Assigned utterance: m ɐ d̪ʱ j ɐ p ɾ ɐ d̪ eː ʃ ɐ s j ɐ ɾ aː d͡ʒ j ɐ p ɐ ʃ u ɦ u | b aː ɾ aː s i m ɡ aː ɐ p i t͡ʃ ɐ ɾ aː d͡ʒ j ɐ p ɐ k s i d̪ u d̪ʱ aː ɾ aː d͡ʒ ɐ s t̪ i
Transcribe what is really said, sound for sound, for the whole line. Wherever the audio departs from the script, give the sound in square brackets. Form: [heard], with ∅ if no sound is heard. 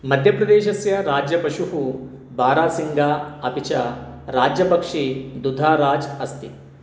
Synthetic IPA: m ɐ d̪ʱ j ɐ p ɾ ɐ d̪ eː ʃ ɐ s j ɐ ɾ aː d͡ʒ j ɐ p ɐ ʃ u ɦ u | b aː ɾ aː s i [ŋ] ɡ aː ɐ p i t͡ʃ ɐ ɾ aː d͡ʒ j ɐ p ɐ k [ʂ] i d̪ u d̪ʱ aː ɾ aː d͡ʒ ɐ s t̪ i